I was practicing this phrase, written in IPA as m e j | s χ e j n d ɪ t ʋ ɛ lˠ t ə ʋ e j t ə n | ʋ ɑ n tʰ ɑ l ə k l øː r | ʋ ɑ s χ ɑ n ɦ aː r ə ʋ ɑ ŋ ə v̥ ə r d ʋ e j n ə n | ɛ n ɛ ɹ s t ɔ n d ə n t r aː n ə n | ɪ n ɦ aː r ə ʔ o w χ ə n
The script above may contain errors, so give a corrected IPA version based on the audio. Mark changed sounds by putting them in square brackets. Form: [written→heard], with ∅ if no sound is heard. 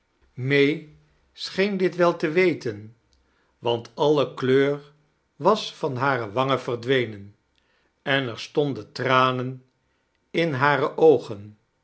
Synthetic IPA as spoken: m e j | s χ e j n d ɪ t ʋ ɛ lˠ t ə ʋ e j t ə n | ʋ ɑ n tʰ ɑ l ə k l øː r | ʋ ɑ s [χ→f] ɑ n ɦ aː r ə ʋ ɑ ŋ ə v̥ ə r d ʋ e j n ə n | ɛ n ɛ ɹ s t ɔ n d ə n t r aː n ə n | ɪ n ɦ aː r ə ʔ o w χ ə n